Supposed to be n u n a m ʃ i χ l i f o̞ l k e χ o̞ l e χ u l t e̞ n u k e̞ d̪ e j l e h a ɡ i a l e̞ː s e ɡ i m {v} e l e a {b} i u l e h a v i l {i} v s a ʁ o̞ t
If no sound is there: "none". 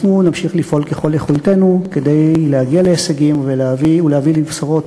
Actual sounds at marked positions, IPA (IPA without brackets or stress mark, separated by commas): v, v, i